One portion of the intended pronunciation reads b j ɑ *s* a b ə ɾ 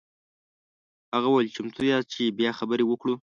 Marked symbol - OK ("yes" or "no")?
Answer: no